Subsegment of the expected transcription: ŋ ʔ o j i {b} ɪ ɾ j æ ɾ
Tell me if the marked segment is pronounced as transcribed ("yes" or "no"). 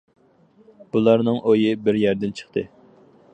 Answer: yes